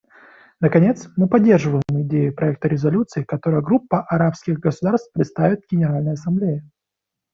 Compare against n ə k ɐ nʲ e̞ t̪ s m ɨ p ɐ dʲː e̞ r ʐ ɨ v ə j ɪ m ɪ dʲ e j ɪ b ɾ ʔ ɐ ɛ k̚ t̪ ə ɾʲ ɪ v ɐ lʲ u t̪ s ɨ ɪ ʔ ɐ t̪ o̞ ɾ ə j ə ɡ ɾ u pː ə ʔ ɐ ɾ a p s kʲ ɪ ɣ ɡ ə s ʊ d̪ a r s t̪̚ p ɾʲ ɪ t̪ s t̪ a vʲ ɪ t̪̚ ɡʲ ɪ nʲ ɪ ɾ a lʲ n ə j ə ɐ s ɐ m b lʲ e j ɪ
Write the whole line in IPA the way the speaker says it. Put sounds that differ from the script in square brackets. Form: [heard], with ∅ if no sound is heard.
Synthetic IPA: n ə k ɐ nʲ e̞ t̪ s m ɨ p ɐ dʲː e̞ r ʐ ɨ v ə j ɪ m ɪ dʲ e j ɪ [p] ɾ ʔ ɐ ɛ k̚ t̪ ə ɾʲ ɪ [z] ɐ lʲ u t̪ s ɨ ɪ [k] ɐ t̪ o̞ ɾ ə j ə ɡ ɾ u pː ə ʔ ɐ ɾ a p s kʲ ɪ ɣ ɡ ə s ʊ d̪ a r s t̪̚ p ɾʲ ɪ t̪ s t̪ a vʲ ɪ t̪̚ ɡʲ ɪ nʲ ɪ ɾ a lʲ n ə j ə ɐ s ɐ m b lʲ e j ɪ